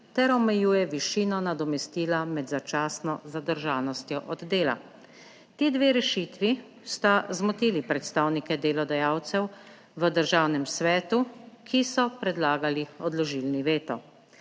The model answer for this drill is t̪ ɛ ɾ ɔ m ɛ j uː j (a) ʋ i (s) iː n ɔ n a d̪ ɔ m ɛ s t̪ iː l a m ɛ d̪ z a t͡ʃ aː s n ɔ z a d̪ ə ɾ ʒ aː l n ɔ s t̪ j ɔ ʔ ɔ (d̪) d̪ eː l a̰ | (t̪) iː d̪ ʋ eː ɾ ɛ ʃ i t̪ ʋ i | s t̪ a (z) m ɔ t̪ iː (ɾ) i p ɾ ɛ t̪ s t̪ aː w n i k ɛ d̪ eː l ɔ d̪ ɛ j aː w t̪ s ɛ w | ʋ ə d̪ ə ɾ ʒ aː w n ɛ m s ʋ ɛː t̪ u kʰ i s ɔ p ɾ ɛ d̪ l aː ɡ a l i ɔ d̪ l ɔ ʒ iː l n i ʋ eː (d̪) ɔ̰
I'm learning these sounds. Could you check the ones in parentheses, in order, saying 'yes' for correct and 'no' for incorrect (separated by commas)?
no, no, yes, yes, yes, no, no